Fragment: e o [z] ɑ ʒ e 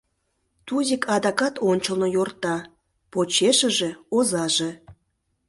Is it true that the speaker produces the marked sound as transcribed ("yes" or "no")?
yes